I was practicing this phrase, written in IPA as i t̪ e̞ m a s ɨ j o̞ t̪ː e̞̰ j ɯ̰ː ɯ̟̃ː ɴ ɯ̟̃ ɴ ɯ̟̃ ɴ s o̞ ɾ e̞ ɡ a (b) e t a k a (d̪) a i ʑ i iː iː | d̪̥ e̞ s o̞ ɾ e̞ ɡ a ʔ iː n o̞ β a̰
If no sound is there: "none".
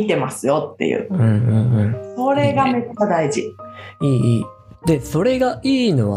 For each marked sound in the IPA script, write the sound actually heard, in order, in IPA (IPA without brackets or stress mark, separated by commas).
m, d̪